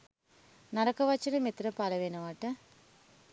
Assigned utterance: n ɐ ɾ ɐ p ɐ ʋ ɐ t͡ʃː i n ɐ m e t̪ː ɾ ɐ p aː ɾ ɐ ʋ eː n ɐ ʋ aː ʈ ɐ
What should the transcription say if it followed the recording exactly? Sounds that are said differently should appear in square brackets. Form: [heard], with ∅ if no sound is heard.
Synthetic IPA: n ɐ ɾ ɐ [k] ɐ ʋ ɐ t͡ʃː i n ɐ m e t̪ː ɾ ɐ p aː [l] ɐ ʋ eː n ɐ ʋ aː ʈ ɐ